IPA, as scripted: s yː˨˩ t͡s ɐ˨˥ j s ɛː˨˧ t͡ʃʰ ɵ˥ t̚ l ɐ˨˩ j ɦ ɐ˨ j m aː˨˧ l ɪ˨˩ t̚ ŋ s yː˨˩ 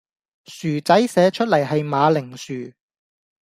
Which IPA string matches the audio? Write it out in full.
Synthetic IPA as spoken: s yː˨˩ t͡s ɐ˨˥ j s ɛː˨˧ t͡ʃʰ ɵ˥ t̚ l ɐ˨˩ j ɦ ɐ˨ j m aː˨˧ l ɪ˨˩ ŋ s yː˨˩